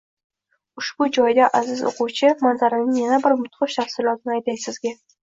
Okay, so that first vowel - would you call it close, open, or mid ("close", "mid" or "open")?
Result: close